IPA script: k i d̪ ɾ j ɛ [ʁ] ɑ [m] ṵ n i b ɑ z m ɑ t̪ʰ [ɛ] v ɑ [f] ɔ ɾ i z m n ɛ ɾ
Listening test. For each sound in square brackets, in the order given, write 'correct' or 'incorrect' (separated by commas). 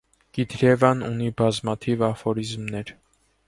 incorrect, incorrect, incorrect, correct